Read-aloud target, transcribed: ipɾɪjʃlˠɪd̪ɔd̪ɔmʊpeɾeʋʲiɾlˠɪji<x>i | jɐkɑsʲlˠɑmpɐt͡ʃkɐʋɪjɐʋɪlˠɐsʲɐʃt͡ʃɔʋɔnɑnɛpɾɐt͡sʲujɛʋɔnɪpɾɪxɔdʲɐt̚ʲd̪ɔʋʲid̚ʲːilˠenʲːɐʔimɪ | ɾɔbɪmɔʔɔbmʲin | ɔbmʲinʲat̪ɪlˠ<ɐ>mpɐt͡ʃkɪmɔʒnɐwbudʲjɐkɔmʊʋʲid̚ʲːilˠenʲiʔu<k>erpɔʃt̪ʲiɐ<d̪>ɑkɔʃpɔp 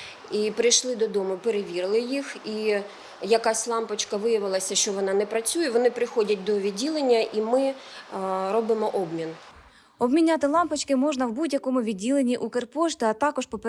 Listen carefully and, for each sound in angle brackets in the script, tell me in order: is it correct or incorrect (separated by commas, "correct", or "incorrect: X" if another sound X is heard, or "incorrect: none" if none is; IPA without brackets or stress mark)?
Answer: correct, incorrect: ɑ, correct, incorrect: t̪